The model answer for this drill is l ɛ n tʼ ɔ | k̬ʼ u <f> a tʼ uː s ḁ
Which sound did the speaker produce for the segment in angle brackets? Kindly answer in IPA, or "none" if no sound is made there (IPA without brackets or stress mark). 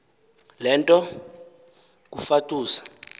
f